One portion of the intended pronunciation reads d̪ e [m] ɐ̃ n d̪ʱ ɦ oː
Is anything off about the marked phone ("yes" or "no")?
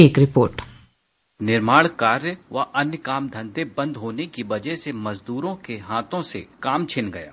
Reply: yes